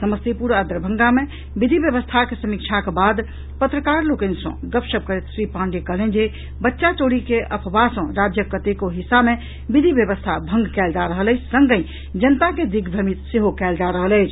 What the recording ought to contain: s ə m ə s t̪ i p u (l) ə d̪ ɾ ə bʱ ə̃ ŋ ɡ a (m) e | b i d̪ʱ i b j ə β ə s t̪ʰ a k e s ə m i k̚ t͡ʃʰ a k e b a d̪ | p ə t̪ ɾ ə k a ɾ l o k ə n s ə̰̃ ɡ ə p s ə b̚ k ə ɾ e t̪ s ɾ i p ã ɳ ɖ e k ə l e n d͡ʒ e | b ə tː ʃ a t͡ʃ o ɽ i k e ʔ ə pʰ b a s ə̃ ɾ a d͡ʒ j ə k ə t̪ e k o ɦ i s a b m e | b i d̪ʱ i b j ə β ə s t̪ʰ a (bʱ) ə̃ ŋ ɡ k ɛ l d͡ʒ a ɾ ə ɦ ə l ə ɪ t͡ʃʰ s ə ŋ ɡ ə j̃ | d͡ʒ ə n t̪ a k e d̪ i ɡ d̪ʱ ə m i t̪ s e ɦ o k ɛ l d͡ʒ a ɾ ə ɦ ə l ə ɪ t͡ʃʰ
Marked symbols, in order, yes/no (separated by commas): no, yes, yes